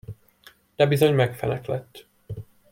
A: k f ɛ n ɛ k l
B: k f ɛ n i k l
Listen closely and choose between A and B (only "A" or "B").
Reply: A